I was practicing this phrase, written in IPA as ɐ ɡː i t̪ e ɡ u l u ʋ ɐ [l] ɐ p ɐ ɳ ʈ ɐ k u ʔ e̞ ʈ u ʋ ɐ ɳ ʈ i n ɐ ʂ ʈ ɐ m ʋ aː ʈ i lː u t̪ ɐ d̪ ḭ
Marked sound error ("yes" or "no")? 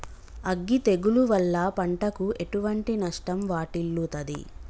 yes